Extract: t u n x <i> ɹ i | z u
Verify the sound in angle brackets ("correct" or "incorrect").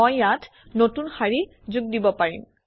incorrect